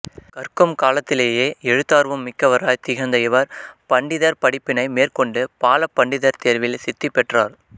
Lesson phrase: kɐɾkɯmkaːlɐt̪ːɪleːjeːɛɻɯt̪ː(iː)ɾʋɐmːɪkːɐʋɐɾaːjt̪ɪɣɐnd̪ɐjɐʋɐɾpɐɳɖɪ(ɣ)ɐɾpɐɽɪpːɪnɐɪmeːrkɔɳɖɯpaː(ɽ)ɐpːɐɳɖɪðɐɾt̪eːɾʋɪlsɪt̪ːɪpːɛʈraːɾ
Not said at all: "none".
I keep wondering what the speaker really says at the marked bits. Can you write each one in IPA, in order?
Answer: aː, ð, l

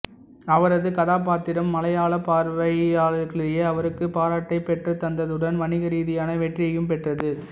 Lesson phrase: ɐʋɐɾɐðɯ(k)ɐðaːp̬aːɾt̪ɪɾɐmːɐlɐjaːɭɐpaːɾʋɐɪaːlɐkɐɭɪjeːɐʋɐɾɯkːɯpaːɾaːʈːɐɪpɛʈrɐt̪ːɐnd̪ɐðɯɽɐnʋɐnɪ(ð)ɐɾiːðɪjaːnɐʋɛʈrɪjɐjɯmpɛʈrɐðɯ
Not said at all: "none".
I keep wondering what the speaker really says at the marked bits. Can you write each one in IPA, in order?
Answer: k, ɣ

